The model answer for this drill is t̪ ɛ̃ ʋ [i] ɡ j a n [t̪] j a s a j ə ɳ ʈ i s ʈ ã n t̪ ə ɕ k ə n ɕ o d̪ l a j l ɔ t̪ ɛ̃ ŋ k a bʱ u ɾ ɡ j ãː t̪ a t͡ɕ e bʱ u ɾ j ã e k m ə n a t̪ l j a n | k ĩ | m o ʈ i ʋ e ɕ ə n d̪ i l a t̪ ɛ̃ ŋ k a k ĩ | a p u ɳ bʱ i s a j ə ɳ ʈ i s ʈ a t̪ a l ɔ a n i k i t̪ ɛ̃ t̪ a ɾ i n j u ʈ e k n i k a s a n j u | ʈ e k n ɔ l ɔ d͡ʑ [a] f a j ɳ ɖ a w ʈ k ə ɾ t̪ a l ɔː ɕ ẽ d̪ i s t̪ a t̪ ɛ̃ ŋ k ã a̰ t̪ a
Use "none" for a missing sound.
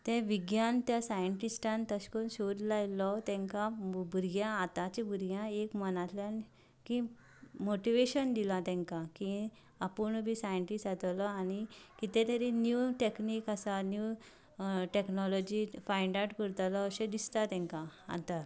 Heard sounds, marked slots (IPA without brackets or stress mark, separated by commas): i, t̪, i